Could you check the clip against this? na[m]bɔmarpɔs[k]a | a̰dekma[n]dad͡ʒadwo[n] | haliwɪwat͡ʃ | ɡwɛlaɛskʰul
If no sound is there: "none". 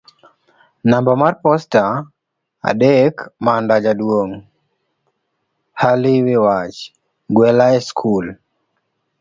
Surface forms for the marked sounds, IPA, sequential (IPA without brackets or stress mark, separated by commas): m, t, n, ŋ